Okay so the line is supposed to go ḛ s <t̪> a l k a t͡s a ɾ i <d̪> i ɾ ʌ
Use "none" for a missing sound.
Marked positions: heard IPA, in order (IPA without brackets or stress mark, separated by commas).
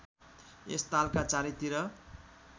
t̪, t̪